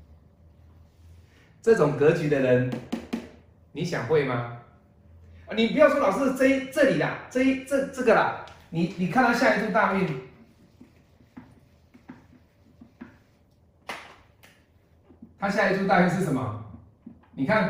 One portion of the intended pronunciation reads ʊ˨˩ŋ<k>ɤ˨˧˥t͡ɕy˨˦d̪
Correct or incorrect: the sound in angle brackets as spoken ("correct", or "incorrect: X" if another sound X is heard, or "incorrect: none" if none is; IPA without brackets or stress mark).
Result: correct